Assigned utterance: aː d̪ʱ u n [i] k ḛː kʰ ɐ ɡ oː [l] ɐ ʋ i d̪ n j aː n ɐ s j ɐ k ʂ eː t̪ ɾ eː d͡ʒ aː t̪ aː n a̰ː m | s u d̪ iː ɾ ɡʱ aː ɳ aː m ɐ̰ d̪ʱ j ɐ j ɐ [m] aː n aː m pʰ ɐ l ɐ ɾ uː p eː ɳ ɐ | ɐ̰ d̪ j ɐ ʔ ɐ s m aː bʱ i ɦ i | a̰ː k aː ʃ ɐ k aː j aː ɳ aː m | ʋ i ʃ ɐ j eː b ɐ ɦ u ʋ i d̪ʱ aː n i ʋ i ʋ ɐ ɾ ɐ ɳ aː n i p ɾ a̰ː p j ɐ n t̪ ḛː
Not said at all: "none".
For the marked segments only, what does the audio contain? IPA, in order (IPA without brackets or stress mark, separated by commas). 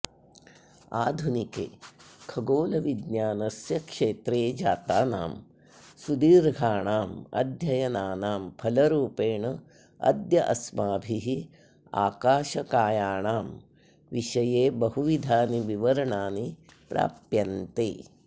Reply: i, l, n